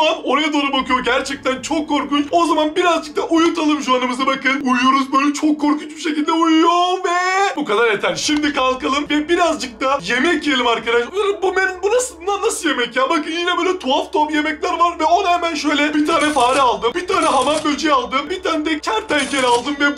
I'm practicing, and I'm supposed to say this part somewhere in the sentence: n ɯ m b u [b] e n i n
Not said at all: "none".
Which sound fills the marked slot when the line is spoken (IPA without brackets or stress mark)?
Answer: m